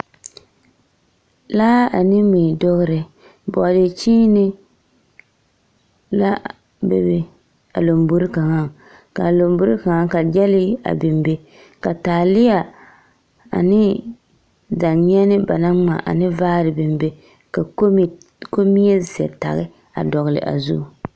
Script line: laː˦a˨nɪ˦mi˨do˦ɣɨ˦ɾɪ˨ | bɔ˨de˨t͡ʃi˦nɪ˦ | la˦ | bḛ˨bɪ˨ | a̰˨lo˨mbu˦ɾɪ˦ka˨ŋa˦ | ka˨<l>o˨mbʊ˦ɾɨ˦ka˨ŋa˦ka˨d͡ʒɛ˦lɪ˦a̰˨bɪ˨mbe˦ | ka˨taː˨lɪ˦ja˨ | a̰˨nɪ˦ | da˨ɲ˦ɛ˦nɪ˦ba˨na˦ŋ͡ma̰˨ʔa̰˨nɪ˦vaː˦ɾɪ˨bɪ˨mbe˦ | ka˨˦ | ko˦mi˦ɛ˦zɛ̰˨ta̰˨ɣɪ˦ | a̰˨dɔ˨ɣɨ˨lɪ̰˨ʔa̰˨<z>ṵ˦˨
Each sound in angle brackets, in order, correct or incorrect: correct, correct

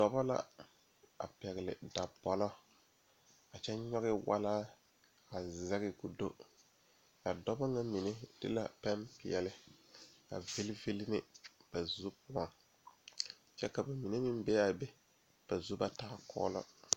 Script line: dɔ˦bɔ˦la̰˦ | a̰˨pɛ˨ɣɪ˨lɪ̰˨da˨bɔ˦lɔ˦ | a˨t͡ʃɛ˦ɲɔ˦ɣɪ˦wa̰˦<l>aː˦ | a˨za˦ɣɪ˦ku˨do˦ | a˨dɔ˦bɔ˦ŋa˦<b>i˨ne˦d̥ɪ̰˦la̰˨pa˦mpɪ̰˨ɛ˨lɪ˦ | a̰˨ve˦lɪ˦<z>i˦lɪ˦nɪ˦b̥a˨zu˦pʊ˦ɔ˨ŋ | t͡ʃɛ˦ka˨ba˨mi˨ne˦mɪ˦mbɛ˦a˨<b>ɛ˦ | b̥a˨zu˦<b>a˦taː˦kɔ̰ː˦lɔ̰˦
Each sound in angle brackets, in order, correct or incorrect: correct, incorrect: m, incorrect: v, correct, correct

